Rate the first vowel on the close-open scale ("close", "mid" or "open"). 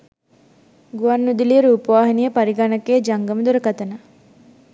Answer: close